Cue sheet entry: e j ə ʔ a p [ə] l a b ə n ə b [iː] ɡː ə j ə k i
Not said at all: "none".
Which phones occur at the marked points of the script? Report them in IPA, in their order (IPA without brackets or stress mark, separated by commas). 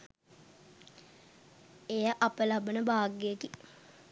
ə, aː